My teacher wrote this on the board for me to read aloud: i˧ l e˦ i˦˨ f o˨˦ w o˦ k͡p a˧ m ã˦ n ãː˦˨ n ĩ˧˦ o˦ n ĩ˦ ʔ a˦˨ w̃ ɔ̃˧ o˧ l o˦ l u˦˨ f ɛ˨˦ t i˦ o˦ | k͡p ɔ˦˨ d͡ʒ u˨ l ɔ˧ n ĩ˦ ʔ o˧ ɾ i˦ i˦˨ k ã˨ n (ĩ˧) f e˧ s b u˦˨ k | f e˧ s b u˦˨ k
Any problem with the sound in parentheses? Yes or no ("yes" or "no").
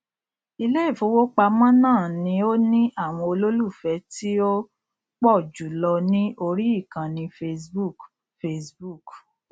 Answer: no